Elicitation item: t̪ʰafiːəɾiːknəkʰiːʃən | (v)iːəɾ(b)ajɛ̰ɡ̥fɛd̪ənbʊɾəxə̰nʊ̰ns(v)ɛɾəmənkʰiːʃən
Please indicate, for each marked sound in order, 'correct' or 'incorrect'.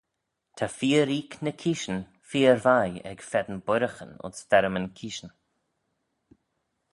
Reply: incorrect, incorrect, incorrect

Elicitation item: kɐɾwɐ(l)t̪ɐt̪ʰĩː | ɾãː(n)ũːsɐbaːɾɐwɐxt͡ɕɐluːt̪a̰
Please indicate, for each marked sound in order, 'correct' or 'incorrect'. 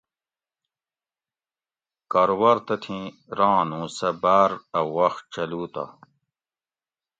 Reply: incorrect, correct

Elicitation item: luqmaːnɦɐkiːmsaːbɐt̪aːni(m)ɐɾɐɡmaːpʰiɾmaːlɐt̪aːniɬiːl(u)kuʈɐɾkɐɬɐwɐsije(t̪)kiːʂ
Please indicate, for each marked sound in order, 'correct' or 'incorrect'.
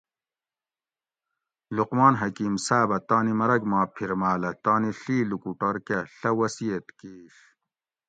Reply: correct, correct, correct

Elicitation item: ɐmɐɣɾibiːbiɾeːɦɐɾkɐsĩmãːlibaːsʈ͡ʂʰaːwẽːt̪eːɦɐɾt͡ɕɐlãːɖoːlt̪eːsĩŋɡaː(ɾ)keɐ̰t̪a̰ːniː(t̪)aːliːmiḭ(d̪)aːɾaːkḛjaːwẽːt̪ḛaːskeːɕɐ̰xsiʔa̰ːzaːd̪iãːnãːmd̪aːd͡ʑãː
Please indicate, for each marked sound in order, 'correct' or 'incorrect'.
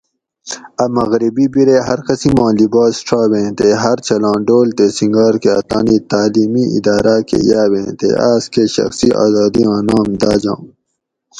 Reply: correct, correct, correct

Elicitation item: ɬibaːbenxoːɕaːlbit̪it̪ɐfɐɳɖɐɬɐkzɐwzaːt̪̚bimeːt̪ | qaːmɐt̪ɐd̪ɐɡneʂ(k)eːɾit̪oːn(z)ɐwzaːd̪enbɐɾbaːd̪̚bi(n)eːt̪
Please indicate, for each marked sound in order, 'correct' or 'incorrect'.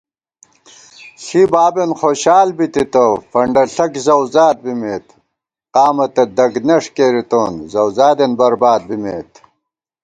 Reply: correct, correct, incorrect

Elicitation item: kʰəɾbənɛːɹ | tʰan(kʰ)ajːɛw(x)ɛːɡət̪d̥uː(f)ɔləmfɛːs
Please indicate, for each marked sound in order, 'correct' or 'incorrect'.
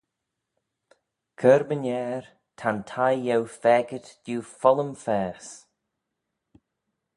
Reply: incorrect, incorrect, correct

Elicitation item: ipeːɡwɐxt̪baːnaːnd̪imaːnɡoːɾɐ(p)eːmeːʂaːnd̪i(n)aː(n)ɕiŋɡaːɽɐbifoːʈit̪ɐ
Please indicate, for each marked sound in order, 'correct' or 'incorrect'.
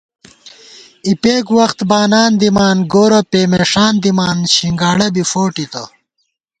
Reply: correct, incorrect, correct

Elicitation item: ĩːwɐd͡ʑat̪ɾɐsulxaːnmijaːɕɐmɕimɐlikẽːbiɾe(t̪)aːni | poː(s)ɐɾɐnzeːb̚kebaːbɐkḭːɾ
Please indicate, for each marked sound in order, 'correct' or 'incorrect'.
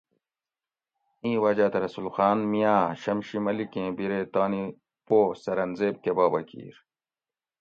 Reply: correct, correct

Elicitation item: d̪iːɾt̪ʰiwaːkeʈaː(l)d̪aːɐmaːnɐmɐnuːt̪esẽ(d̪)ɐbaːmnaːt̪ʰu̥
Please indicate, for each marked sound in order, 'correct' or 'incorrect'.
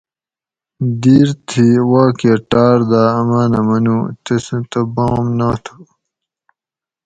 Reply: incorrect, incorrect

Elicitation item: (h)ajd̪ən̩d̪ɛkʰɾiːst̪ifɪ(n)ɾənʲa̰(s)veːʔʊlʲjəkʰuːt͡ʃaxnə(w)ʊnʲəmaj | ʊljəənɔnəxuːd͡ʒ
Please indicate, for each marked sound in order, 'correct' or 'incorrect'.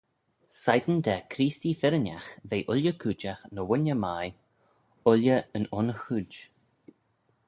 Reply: incorrect, incorrect, incorrect, correct

